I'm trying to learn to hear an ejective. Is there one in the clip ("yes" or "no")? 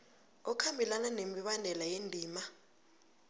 no